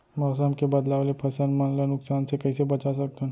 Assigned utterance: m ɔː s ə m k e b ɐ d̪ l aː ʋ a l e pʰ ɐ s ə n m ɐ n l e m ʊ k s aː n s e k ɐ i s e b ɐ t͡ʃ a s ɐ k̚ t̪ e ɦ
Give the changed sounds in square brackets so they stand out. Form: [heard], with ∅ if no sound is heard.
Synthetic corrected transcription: m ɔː s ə m k e b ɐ d̪ l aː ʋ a l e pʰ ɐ s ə n m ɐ n l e [n] ʊ k s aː n s e k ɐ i s e b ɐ t͡ʃ a s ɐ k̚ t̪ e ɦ